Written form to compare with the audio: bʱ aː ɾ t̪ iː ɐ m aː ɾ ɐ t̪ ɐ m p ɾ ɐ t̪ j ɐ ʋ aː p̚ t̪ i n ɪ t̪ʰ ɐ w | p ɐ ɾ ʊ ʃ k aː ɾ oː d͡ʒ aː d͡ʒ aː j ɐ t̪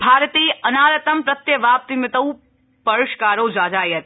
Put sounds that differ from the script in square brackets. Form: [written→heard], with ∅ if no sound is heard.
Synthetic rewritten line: bʱ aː ɾ t̪ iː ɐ [m→n] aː ɾ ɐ t̪ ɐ m p ɾ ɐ t̪ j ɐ ʋ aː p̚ t̪ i [n→m] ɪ [t̪ʰ→t̪] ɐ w | p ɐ ɾ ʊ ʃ k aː ɾ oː d͡ʒ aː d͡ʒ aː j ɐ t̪